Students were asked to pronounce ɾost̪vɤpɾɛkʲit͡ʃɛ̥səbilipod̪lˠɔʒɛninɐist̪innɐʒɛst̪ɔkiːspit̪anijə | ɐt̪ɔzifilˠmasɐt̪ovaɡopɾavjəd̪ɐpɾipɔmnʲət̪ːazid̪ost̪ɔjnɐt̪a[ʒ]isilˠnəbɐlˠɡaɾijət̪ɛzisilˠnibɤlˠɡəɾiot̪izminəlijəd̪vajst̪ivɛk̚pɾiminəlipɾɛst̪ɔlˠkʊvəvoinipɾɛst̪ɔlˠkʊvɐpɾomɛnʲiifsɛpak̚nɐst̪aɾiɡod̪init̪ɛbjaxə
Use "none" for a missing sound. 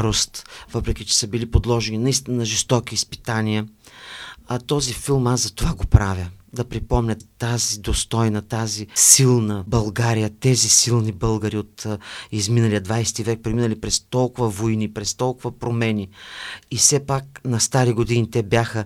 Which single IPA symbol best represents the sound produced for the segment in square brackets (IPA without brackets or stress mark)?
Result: z